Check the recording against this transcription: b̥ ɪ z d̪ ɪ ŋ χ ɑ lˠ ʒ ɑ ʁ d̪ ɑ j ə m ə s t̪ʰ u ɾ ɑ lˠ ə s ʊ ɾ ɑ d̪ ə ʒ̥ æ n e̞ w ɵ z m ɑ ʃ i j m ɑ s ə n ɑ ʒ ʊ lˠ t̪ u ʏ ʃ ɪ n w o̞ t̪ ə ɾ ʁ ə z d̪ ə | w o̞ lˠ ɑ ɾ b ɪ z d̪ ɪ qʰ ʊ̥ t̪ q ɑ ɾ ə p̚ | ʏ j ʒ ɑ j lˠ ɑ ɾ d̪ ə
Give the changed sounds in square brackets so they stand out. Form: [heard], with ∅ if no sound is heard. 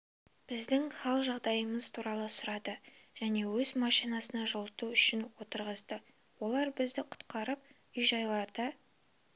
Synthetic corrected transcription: b̥ ɪ z d̪ ɪ ŋ χ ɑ lˠ ʒ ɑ ʁ d̪ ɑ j ə m ə [z] t̪ʰ u ɾ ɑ lˠ ə s ʊ ɾ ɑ d̪ ə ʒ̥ æ n e̞ w ɵ z m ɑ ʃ i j [n] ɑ s ə n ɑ ʒ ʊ lˠ t̪ u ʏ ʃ ɪ n w o̞ t̪ ə ɾ ʁ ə z d̪ ə | w o̞ lˠ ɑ ɾ b ɪ z d̪ ɪ qʰ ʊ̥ t̪ q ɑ ɾ ə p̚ | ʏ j ʒ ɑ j lˠ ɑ ɾ d̪ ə